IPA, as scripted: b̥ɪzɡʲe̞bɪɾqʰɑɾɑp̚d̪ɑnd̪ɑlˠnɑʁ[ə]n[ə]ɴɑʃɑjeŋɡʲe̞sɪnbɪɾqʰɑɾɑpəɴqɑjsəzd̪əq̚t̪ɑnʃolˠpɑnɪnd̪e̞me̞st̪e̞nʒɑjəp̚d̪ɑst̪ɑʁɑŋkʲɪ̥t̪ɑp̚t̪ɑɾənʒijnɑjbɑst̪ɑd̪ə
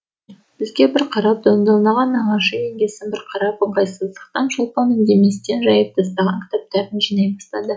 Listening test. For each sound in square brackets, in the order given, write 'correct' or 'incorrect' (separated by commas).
incorrect, incorrect